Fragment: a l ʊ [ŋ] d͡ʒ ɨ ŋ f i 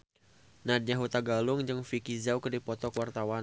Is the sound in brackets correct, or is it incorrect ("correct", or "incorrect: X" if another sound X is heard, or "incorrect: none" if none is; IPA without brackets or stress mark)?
correct